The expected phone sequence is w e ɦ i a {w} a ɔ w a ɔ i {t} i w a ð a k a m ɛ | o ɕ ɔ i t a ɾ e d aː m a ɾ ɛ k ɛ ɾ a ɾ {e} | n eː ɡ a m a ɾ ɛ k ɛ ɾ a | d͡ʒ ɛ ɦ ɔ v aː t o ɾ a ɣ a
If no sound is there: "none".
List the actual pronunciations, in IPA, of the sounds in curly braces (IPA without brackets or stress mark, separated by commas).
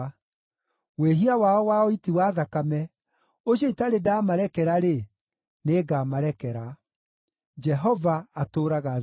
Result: w, t, e